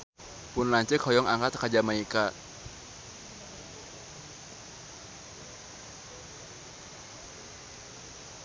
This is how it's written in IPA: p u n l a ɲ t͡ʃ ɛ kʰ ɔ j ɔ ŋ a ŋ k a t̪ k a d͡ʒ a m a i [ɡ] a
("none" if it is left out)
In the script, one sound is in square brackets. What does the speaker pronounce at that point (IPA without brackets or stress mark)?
k